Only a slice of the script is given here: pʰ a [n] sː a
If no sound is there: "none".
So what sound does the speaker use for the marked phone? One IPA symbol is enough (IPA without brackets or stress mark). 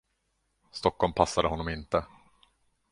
none